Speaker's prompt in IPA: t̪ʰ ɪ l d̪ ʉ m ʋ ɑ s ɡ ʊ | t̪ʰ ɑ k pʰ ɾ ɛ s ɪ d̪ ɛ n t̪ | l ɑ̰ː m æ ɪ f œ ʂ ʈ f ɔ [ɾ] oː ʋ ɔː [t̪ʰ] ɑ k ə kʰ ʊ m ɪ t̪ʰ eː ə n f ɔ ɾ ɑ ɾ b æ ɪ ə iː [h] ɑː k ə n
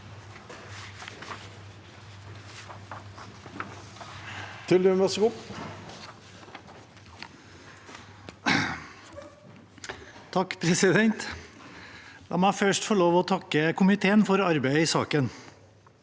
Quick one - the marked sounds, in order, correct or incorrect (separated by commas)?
incorrect, correct, incorrect